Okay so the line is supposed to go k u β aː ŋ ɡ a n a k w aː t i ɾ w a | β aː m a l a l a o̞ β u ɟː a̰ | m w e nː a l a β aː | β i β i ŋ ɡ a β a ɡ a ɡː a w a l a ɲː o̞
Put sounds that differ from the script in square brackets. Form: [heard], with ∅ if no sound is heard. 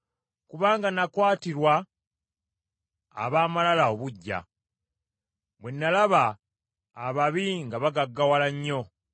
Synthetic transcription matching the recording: k u β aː ŋ ɡ a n a k w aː t i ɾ w a | β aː m a l a l a o̞ β u ɟː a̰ | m w e nː a l a β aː | β [a] β i ŋ ɡ a β a ɡ a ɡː a w a l a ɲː o̞

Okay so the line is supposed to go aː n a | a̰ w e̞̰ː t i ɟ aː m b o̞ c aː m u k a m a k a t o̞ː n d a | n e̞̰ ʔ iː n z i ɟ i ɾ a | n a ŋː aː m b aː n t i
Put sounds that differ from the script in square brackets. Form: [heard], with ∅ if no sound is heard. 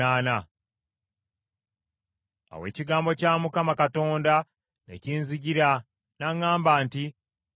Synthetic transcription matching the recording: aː n a | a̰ w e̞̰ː [c] i [ɡ] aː m b o̞ c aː m u k a m a k a t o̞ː n d a | n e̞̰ [c] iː n z i ɟ i ɾ a | n a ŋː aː m b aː n t i

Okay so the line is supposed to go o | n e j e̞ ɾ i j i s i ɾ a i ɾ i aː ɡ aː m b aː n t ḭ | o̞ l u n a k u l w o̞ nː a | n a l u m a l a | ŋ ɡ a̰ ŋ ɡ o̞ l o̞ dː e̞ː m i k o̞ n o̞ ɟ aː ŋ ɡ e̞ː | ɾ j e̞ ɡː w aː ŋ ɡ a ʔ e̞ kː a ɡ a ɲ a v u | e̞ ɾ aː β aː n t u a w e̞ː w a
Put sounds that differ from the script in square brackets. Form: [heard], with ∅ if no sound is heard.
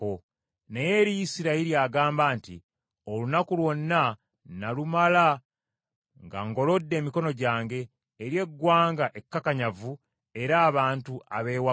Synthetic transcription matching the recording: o | n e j e̞ ɾ i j i s i ɾ a i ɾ i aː ɡ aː m b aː n t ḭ | o̞ l u n a k u l w o̞ nː a | n a l u m a l a | ŋ ɡ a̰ ŋ ɡ o̞ l o̞ dː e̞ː m i k o̞ n o̞ ɟ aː ŋ ɡ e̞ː | ɾ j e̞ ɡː w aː ŋ ɡ a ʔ e̞ kː a [k] a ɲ a v u | e̞ ɾ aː β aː n t u a [β] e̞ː w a

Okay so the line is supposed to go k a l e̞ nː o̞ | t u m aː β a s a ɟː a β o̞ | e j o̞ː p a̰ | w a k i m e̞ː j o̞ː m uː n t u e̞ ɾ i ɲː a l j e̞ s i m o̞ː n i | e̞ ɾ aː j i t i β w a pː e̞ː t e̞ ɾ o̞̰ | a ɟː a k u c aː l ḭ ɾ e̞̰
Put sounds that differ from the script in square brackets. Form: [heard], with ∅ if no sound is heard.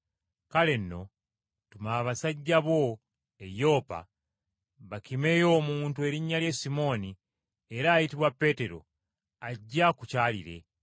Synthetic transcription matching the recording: k a l e̞ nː o̞ | t u m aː β a s a ɟː a β o̞ | e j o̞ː p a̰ | [β] a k i m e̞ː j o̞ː m uː n t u e̞ ɾ i ɲː a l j e̞ s i m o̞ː n i | e̞ ɾ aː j i t i β w a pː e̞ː t e̞ ɾ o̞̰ | a ɟː a k u c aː l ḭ ɾ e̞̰

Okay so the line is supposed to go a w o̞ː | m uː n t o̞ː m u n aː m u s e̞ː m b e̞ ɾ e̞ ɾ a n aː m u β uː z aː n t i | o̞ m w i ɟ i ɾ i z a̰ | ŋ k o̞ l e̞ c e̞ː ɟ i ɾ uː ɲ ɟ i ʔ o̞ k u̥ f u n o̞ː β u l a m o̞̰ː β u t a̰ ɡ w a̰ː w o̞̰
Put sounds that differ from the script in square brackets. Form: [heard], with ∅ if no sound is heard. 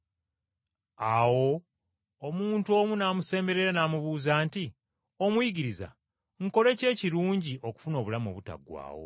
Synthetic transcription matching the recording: a w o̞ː | m uː n t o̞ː m u n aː m u s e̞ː m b e̞ ɾ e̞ ɾ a n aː m u β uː z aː n t i | o̞ m w i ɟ i ɾ i z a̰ | ŋ k o̞ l e̞ c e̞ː [c] i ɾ uː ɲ ɟ i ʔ o̞ k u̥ f u n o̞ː β u l a m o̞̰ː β u t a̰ ɡ w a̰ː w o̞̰

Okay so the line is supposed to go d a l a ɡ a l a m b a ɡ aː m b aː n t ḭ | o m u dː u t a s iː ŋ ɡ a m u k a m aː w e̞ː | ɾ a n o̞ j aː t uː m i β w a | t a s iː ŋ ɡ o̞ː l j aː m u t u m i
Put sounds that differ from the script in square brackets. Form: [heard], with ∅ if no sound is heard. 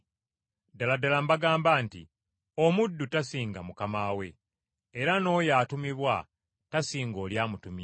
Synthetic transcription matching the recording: d a l a [d] a l a m b a ɡ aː m b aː n t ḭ | o m u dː u t a s iː ŋ ɡ a m u k a m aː w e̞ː | ɾ a n o̞ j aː t [u] m i β w a | t a s iː ŋ ɡ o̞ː l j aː m u t u m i

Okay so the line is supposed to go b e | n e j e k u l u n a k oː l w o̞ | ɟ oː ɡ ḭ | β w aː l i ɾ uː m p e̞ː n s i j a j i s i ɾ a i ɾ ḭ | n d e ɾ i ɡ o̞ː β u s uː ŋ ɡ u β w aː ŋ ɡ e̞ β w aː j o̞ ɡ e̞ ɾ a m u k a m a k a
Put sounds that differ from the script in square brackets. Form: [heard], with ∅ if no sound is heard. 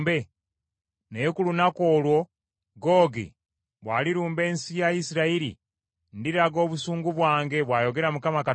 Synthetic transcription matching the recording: b e | n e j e k u l u n a k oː l w o̞ | [ɡ] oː ɡ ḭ | β w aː l i ɾ uː m [b] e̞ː n s i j a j i s i ɾ a i ɾ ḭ | n d [i] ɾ [a] ɡ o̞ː β u s uː ŋ ɡ u β w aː ŋ ɡ e̞ β w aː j o̞ ɡ e̞ ɾ a m u k a m a k a

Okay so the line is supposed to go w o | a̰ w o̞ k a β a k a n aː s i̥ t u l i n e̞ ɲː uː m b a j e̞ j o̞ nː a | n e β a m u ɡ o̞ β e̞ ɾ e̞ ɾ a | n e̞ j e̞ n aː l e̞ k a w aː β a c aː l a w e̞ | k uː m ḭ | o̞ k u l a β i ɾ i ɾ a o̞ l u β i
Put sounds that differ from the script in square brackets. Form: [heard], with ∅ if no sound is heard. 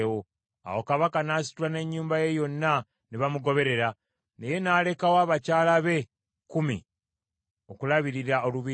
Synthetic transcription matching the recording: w o | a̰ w o̞ k a β a k a n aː s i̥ t u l [a] n e̞ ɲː uː m b a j e̞ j o̞ nː a | n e β a m u ɡ o̞ β e̞ ɾ e̞ ɾ a | n e̞ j e̞ n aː l e̞ k a w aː β a c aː l a [β] e̞ | k [u] m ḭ | o̞ k u l a β i ɾ i ɾ a o̞ l u β i

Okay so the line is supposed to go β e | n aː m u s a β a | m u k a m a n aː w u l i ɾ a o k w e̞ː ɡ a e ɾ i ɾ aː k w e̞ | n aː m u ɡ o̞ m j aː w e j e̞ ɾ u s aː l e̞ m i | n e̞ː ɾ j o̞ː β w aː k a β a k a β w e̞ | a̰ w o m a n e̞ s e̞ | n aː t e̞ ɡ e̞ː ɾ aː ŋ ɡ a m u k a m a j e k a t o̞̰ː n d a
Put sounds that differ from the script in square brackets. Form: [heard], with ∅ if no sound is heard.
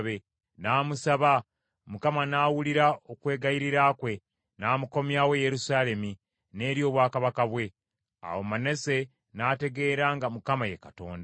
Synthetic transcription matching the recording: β e | n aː m u s a β a | m u k a m a n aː w u l i ɾ a o k w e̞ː ɡ a [i] ɾ i ɾ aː k w e̞ | n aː m u [k] o̞ m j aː w e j e̞ ɾ u s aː l e̞ m i | n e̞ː ɾ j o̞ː β w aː k a β a k a β w e̞ | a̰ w o m a n e̞ s e̞ | n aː t e̞ ɡ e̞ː ɾ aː ŋ ɡ a m u k a m a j e k a t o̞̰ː n d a

